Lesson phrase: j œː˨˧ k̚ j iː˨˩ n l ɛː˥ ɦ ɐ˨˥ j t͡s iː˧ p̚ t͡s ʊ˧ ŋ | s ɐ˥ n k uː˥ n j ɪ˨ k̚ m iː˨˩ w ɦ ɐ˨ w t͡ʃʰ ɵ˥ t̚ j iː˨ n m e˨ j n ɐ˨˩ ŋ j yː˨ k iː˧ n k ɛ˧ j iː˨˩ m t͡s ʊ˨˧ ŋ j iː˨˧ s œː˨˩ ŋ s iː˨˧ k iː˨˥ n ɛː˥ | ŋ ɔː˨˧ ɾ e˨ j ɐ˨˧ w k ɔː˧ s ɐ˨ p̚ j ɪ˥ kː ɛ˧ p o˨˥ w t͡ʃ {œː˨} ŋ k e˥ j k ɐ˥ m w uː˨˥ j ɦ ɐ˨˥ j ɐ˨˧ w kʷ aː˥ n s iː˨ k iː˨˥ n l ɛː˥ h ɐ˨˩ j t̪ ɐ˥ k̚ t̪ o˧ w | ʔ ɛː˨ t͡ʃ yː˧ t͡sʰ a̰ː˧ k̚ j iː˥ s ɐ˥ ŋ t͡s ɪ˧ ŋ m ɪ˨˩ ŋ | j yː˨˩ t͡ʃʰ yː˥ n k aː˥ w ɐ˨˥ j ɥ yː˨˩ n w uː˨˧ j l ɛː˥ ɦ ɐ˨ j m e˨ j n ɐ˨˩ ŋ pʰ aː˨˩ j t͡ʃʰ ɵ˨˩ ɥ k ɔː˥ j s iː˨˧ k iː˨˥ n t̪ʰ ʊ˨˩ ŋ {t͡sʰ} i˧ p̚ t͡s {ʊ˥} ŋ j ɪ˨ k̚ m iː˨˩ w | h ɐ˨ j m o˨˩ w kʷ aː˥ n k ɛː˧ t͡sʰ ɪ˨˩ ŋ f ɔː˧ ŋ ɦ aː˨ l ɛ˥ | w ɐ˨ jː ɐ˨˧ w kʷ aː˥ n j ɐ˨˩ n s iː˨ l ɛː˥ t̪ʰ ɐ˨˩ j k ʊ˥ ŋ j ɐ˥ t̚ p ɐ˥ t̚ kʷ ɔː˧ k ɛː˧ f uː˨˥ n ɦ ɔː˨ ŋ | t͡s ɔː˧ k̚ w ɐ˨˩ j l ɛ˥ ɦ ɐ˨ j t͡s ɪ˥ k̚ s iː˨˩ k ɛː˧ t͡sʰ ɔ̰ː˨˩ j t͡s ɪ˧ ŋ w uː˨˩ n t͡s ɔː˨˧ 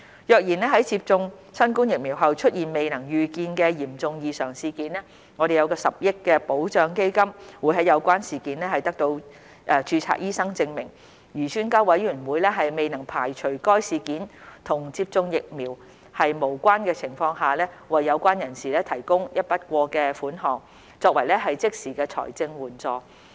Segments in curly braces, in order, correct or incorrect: correct, incorrect: t͡s, incorrect: ʊ˧

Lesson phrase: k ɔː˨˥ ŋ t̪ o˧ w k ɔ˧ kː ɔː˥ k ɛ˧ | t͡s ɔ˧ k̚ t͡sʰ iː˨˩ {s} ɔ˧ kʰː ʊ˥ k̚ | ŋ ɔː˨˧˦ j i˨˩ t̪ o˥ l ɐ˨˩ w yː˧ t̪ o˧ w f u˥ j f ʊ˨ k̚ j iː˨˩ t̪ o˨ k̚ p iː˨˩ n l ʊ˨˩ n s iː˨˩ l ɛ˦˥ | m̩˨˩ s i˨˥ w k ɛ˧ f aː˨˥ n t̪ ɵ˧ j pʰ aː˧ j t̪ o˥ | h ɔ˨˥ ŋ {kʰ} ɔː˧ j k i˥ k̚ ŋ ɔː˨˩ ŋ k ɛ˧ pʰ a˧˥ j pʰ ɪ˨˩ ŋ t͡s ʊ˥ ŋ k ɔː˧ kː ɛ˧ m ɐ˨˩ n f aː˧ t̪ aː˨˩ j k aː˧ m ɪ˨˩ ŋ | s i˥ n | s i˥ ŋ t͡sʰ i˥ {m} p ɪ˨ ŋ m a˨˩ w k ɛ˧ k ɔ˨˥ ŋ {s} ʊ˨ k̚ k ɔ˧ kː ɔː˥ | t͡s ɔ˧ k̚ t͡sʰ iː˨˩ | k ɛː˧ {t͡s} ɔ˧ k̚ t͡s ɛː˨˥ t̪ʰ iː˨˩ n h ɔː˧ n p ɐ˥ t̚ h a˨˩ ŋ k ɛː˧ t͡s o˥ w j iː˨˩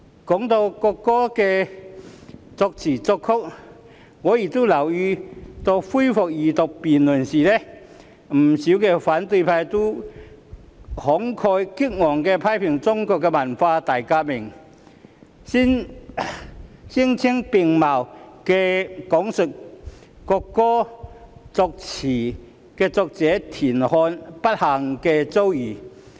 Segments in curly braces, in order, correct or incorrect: incorrect: t͡s, correct, incorrect: ŋ, correct, correct

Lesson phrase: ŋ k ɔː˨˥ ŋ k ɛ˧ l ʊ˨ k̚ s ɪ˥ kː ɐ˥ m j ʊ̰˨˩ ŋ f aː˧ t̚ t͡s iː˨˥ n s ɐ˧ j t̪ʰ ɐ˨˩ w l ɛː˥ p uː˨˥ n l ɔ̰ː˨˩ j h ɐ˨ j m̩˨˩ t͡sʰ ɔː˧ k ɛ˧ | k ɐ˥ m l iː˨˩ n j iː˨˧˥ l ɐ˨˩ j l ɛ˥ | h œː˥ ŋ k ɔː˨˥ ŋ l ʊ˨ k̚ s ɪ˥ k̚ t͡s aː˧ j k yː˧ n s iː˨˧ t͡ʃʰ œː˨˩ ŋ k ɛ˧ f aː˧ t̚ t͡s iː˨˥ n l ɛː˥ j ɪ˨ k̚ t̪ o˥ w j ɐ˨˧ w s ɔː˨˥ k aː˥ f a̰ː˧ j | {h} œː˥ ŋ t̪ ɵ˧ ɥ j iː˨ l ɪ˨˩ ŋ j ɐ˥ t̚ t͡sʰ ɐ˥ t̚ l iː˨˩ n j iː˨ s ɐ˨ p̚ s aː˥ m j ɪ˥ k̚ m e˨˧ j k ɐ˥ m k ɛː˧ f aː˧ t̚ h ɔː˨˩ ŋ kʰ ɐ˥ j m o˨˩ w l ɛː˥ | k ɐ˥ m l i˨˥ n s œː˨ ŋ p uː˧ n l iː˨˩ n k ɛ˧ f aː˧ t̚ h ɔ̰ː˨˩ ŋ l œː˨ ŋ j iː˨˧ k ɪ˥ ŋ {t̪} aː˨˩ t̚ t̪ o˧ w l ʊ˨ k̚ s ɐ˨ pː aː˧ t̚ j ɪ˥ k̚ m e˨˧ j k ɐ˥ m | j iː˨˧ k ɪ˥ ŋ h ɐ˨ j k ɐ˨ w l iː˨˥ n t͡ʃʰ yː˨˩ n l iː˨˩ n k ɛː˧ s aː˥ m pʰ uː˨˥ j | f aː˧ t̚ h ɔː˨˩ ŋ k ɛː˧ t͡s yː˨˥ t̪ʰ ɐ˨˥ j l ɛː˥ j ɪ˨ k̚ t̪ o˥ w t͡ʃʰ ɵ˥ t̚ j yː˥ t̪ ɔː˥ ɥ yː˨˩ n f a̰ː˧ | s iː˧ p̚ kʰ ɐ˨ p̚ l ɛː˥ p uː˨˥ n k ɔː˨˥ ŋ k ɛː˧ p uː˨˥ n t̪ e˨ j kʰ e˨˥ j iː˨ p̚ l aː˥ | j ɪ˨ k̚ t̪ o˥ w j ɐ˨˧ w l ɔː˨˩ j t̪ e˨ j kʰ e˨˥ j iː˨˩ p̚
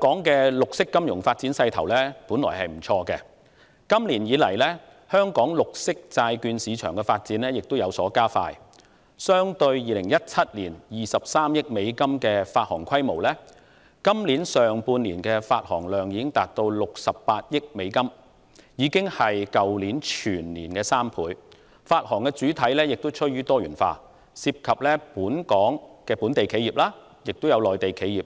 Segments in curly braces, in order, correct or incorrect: incorrect: s, correct

